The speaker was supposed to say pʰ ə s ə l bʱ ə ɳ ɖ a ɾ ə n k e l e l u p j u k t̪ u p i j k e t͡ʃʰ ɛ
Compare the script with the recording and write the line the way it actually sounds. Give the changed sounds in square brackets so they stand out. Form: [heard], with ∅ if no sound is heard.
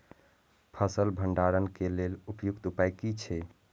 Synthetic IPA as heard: pʰ ə s ə l bʱ ə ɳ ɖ a ɾ ə n k e l e l u p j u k t̪ u p [a] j k [i] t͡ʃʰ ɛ